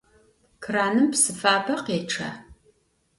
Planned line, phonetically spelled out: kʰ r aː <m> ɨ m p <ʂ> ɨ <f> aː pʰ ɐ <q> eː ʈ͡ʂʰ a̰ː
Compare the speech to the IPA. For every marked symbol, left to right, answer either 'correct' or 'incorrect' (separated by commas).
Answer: incorrect, incorrect, correct, correct